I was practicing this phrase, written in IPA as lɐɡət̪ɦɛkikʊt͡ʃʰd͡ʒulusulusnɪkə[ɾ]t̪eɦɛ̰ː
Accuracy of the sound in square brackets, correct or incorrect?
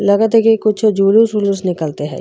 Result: incorrect